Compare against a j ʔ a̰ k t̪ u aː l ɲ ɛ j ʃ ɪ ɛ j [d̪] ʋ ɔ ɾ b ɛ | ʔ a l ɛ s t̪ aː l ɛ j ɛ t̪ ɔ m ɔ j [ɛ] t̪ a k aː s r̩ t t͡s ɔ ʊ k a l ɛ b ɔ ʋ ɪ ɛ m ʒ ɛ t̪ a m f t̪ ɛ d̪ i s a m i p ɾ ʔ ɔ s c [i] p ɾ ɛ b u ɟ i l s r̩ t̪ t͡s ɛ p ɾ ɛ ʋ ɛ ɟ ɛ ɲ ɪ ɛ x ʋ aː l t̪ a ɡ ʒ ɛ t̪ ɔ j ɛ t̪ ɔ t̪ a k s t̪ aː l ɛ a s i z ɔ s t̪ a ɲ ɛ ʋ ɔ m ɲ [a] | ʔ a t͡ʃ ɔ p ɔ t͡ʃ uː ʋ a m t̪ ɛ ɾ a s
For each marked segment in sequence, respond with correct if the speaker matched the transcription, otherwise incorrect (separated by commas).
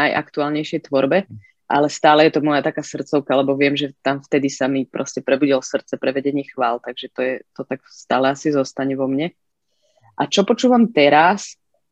incorrect, incorrect, incorrect, incorrect